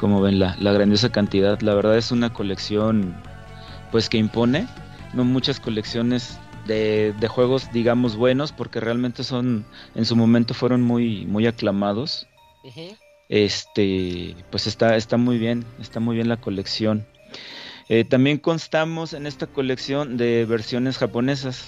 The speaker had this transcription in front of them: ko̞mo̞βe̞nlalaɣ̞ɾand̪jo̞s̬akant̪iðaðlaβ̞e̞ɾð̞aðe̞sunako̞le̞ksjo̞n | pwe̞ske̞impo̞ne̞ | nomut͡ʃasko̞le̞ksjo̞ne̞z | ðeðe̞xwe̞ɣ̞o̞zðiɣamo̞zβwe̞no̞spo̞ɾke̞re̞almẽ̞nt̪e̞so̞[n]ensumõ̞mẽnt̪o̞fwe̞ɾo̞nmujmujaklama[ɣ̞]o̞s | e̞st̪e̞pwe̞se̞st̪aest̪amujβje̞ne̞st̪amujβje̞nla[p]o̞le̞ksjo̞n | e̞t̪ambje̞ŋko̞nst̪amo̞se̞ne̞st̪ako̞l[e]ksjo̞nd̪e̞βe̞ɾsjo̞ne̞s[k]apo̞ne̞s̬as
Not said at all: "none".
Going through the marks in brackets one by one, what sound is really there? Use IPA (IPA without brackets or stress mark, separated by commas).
n, ð̞, k, e, x